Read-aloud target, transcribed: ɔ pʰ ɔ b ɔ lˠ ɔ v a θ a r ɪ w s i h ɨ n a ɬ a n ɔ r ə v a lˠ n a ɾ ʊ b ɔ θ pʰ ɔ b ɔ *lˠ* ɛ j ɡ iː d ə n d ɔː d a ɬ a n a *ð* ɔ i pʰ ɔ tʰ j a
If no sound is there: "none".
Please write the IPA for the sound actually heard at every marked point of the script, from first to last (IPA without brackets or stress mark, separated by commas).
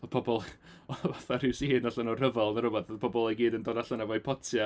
lˠ, v